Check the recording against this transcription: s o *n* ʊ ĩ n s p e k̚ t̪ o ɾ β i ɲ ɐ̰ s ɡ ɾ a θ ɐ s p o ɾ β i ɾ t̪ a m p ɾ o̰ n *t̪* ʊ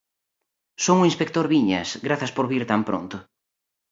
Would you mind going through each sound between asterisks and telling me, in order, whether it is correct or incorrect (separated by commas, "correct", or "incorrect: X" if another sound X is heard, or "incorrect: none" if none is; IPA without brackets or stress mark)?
incorrect: ŋ, correct